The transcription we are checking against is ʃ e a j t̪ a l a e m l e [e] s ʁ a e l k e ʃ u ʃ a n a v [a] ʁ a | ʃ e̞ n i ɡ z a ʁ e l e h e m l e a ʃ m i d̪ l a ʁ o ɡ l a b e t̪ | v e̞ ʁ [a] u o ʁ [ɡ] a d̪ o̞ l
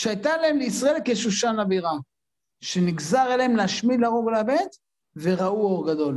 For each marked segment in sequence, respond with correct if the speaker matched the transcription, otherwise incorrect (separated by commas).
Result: incorrect, incorrect, correct, correct